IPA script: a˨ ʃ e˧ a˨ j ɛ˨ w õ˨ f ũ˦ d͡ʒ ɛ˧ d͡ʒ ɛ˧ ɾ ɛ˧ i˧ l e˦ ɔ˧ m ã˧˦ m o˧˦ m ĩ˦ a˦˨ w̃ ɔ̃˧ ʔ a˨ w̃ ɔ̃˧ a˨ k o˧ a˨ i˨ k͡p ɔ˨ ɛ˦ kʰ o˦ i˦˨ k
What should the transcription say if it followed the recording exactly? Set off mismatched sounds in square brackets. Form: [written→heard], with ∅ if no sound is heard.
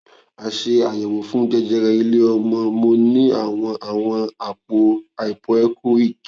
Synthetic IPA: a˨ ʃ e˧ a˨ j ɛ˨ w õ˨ f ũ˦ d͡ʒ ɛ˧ d͡ʒ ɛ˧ ɾ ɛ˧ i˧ l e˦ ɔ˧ m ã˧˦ m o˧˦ [m→n] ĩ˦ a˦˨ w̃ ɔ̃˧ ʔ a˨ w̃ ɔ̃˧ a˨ [k→k͡p] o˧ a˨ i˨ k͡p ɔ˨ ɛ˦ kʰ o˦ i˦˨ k